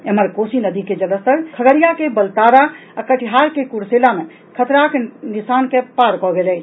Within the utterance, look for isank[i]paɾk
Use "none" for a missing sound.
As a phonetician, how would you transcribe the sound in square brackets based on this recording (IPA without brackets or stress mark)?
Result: e